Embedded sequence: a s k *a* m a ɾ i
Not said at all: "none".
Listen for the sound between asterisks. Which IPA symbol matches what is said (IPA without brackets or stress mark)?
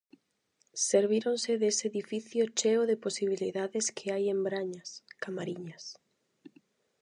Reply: a